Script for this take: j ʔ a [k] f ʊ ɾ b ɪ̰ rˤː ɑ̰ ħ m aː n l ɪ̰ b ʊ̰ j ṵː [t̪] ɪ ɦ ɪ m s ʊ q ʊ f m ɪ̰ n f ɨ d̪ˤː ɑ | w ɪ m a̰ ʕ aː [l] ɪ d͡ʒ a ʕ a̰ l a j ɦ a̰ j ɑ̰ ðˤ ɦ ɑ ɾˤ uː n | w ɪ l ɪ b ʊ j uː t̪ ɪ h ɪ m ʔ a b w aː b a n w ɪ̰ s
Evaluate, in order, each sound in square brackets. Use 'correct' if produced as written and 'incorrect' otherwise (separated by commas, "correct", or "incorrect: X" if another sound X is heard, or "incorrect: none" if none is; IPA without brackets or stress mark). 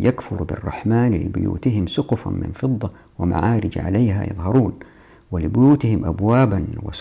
correct, correct, incorrect: ɾ